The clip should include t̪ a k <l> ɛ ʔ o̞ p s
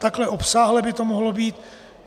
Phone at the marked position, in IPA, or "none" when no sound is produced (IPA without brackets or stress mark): l